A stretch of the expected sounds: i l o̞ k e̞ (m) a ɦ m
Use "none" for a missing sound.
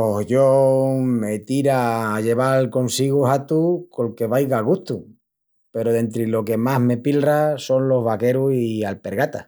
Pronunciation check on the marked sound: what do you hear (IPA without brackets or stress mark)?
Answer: m